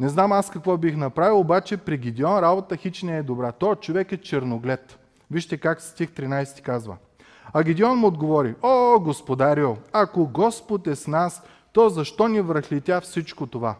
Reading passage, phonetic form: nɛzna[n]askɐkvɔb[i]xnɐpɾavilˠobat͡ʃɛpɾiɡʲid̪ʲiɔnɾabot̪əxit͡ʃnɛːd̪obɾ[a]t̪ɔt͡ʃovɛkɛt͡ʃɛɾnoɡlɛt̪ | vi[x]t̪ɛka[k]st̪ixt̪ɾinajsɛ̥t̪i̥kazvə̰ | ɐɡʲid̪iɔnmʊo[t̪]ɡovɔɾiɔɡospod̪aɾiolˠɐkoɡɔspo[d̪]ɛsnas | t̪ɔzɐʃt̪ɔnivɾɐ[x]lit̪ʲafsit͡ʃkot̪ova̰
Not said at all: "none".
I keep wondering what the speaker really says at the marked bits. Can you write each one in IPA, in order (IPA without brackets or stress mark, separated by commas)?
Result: m, i, a, ʃ, k, d̪, t̪, x